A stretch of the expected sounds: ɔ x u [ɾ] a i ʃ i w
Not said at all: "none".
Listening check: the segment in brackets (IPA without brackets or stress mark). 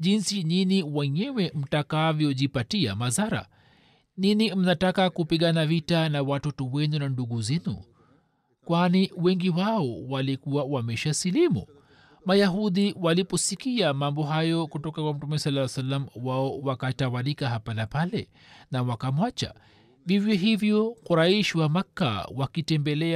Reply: ɾ